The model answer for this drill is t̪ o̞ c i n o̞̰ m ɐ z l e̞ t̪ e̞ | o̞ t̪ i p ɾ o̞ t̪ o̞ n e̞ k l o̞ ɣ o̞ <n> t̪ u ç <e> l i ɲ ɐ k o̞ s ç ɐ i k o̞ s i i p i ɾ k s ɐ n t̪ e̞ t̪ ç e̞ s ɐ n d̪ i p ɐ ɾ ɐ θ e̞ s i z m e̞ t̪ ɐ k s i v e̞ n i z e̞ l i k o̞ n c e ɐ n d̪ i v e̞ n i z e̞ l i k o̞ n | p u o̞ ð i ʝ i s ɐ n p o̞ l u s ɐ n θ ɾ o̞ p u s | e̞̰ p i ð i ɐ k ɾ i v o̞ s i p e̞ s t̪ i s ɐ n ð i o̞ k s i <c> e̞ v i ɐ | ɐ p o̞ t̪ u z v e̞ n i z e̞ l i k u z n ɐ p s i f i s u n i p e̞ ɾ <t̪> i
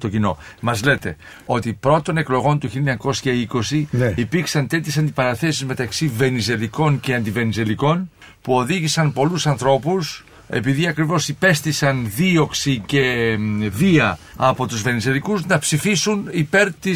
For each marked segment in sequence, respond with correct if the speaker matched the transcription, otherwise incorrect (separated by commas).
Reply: correct, incorrect, correct, correct